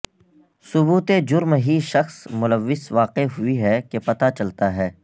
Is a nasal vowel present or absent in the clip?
absent